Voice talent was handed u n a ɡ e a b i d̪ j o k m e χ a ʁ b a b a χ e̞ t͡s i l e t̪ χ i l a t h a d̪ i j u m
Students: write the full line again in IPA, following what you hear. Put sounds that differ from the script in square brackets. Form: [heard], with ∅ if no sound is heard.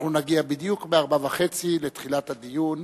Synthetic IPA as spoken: u n a ɡ [i] a b i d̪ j [u] k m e [∅] a ʁ b a [v] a χ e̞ t͡s i l e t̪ χ i l a t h a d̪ i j u [n]